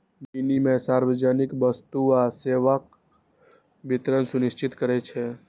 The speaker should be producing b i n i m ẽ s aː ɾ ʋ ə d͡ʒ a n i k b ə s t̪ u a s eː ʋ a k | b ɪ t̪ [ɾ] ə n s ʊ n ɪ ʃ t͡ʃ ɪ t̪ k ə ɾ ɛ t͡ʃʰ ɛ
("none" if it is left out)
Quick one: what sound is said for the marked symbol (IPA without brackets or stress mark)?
ɾ